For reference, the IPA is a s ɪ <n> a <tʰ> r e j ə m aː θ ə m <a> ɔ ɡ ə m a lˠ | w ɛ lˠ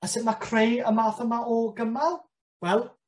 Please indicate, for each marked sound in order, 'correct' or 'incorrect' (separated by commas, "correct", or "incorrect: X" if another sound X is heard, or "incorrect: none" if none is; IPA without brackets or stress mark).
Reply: incorrect: m, incorrect: kʰ, correct